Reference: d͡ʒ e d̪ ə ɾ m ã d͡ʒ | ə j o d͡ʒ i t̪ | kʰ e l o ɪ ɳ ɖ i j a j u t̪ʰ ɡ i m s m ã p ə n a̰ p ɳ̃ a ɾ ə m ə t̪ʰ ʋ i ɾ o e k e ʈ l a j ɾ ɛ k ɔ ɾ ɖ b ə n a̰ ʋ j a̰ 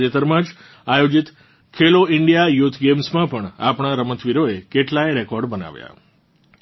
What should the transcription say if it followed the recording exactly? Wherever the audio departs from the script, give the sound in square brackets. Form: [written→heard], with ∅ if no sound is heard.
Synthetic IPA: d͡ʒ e [d̪→t̪] ə ɾ m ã d͡ʒ | [ə→a] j o d͡ʒ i t̪ | kʰ e l o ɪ ɳ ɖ i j a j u t̪ʰ ɡ [i→e] m s m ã p ə [n→ɳ] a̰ p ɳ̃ a ɾ ə m ə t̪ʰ ʋ i ɾ o e k e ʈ l a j ɾ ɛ k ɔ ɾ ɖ b ə n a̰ ʋ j a̰

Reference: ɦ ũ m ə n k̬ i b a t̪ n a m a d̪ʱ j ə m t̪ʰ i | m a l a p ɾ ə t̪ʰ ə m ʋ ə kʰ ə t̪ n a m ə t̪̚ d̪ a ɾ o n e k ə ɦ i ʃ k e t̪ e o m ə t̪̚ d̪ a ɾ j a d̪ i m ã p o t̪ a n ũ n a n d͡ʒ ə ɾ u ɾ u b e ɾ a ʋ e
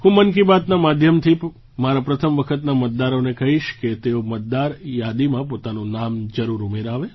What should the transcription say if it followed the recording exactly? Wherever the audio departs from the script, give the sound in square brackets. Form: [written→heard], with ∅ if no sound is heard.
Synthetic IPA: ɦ ũ m ə n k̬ i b a t̪ n a m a d̪ʱ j ə m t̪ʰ i | m a [l→ɾ] a p ɾ ə t̪ʰ ə m ʋ ə kʰ ə t̪ n a m ə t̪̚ d̪ a ɾ o n e k ə ɦ i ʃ k e t̪ e o m ə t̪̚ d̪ a ɾ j a d̪ i m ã p o t̪ a n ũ n a [n→m] d͡ʒ ə ɾ u ɾ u [b→m] e ɾ a ʋ e

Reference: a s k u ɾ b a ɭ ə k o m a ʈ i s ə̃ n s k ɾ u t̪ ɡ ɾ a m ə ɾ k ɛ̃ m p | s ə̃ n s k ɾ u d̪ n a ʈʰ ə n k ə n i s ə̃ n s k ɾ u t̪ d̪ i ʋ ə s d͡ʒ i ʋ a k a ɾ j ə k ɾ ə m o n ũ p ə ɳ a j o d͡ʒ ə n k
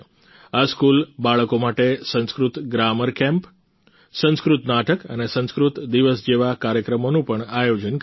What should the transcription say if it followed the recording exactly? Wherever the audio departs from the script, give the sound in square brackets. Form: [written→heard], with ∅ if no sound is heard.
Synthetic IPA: a s k u [ɾ→l] b a ɭ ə k o m a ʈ [i→e] s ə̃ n s k ɾ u t̪ ɡ ɾ a m ə ɾ k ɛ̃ m p | s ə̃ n s k ɾ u [d̪→t̪] n a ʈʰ ə [n→∅] k ə n [i→e] s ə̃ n s k ɾ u t̪ d̪ i ʋ ə s d͡ʒ [i→e] ʋ a k a ɾ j ə k ɾ ə m o n ũ p ə ɳ a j o d͡ʒ ə n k

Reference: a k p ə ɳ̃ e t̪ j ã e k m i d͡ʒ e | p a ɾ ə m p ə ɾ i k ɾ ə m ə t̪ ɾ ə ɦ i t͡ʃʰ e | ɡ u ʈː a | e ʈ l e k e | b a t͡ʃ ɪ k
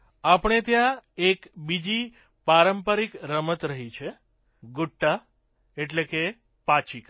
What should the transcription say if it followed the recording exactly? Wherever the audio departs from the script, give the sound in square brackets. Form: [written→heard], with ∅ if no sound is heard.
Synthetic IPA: a [k→∅] p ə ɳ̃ e t̪ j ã e k [m→b] i d͡ʒ [e→i] | p a ɾ ə m p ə ɾ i k ɾ ə m ə t̪ ɾ ə ɦ i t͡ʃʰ e | ɡ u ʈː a | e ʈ l e k e | [b→p] a t͡ʃ [ɪ→i] k

